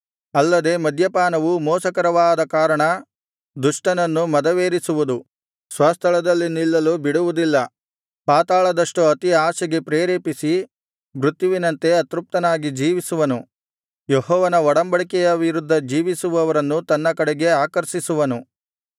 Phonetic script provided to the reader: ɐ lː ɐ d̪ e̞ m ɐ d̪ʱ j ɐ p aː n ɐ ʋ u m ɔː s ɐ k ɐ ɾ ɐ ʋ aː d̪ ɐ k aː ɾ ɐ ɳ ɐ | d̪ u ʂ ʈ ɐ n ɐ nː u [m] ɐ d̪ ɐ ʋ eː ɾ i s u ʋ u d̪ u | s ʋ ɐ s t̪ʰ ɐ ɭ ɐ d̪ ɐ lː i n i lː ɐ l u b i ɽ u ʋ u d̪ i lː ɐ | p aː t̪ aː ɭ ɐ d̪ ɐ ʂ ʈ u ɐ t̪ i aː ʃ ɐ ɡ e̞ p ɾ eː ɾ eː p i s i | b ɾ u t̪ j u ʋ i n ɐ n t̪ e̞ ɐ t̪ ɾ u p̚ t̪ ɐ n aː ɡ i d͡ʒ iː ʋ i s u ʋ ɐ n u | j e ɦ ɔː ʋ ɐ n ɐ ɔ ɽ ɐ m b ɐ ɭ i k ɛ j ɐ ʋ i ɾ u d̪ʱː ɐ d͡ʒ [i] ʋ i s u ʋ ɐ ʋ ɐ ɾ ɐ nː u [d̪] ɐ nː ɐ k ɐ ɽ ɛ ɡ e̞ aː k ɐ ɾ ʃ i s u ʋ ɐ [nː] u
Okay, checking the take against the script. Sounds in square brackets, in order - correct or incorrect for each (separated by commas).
correct, incorrect, incorrect, incorrect